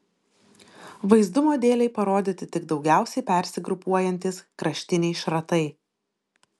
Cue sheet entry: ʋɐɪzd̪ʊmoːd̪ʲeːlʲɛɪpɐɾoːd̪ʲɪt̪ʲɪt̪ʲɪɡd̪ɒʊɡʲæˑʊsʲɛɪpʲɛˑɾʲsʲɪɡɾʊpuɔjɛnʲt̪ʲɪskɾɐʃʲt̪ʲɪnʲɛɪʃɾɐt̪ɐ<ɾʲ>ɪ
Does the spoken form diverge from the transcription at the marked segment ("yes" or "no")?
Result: yes